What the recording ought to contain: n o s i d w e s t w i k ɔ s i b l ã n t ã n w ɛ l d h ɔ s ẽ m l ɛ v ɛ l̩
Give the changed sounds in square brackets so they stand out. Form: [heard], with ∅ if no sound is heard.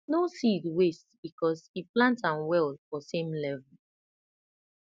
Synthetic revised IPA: n o s i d w e s t [b] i k ɔ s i [p] l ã n t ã n w ɛ l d [f] ɔ s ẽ m l ɛ v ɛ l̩